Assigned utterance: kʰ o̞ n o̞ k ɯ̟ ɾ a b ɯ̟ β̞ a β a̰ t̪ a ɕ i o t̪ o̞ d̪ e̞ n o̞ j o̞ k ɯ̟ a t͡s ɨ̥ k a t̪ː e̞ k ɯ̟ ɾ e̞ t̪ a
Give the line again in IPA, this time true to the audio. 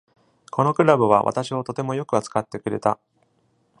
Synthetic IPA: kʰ o̞ n o̞ k ɯ̟ ɾ a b ɯ̟ β̞ a β a̰ t̪ a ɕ i o t̪ o̞ t̪ e̞ m o̞ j o̞ k ɯ̟ a t͡s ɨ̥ k a t̪ː e̞ k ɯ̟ ɾ e̞ t̪ a